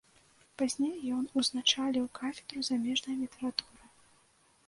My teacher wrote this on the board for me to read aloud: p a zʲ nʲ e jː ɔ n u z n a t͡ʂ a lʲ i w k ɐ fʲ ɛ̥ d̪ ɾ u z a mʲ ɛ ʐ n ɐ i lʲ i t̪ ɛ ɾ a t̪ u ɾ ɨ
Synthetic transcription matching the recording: p a zʲ nʲ e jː ɔ n u z n a t͡ʂ a lʲ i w k a fʲ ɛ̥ d̪ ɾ u z a mʲ ɛ ʐ n ɐ j lʲ i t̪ ɛ ɾ a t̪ u ɾ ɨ